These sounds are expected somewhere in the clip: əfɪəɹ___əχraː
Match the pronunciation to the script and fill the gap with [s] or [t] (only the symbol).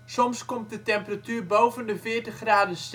t